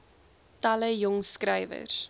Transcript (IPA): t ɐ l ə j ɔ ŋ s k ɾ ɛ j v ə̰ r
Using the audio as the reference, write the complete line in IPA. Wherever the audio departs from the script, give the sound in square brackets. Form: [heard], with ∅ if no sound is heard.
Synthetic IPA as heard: t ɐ l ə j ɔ ŋ s k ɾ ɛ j v ə̰ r